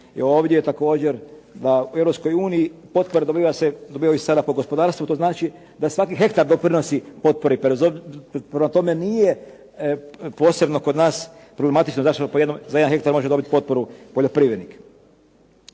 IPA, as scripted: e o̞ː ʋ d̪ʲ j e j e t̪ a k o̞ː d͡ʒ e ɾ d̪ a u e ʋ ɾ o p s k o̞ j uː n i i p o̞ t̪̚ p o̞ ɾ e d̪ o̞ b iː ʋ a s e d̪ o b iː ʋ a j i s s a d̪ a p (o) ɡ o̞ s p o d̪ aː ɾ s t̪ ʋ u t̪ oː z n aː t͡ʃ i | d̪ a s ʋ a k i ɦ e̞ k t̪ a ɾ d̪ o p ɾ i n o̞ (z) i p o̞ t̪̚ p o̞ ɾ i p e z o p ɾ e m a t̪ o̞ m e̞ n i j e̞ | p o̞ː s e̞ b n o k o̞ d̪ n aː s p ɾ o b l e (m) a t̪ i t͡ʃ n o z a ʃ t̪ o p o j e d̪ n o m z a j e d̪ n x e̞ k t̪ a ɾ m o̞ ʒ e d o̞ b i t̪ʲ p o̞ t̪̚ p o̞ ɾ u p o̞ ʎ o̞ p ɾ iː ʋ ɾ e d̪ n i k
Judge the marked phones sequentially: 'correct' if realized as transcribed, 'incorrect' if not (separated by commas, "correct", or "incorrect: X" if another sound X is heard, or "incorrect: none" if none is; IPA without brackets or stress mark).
correct, incorrect: s, correct